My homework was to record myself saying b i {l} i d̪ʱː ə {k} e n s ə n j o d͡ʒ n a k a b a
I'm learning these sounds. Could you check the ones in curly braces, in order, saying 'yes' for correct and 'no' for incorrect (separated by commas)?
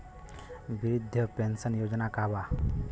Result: no, no